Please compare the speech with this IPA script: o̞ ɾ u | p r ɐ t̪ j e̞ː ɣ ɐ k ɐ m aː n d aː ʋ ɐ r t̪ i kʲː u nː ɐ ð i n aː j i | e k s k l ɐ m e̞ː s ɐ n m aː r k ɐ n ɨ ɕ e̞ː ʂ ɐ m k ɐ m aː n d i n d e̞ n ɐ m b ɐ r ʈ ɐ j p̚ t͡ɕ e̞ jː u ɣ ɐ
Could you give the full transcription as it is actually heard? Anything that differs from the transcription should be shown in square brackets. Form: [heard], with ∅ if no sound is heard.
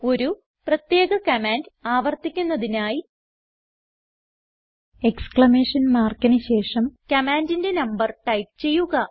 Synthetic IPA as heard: o̞ ɾ u | p r ɐ t̪ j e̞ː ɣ ɐ k ɐ m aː n d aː ʋ ɐ r t̪ i kʲː u nː ɐ ð i n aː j i | e k s k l ɐ m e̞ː [ʂ] ɐ n m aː r k ɐ n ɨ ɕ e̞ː ʂ ɐ m k ɐ m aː n d i n d e̞ n ɐ m b ɐ r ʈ ɐ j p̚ t͡ɕ e̞ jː u ɣ ɐ